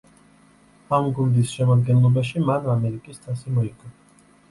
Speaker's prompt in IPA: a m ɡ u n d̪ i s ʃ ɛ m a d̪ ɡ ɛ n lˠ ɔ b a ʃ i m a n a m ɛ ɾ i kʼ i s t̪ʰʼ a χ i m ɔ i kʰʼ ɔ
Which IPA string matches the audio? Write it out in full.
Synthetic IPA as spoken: a m ɡ u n d̪ i s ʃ ɛ m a d̪ ɡ ɛ n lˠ ɔ b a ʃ i m a n a m ɛ ɾ i kʼ i s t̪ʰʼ a s i m ɔ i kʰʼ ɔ